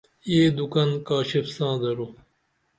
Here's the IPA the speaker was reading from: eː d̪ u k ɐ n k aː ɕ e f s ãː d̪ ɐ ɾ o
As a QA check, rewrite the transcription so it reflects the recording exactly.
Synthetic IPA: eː d̪ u k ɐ n k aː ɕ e f s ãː d̪ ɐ ɾ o